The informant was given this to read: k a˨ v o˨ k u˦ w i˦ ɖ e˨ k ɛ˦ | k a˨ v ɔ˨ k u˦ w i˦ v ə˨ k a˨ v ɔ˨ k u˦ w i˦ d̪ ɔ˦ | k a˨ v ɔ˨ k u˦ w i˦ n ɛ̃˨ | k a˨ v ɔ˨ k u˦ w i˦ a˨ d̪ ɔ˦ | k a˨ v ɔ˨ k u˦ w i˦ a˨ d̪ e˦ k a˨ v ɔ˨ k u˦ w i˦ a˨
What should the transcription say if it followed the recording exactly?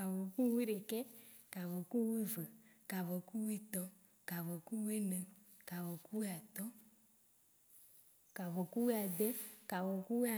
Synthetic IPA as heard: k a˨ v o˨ k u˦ w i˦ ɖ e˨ k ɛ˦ | k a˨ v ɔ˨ k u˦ w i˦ v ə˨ k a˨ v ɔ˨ k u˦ w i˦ t̪ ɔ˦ | k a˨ v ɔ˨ k u˦ w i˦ n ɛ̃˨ | k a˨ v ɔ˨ k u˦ w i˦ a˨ t̪ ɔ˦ | k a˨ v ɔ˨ k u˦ w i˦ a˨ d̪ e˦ k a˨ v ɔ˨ k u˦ w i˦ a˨